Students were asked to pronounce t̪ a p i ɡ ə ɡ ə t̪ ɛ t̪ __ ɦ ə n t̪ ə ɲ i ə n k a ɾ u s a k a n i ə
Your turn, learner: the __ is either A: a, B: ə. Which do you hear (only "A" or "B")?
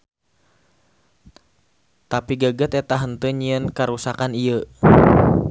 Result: A